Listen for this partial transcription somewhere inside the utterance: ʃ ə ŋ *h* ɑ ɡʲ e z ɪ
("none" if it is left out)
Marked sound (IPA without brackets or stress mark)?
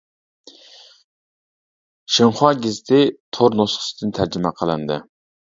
χ